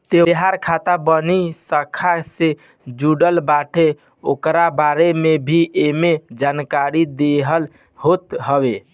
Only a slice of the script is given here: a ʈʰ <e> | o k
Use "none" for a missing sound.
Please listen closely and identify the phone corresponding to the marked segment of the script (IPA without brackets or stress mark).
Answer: e